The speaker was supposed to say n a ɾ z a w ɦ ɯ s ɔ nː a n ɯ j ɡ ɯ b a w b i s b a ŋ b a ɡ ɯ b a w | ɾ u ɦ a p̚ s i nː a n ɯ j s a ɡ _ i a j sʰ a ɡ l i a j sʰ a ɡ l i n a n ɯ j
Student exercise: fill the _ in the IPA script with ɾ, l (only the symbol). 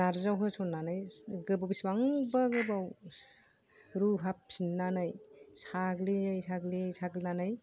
l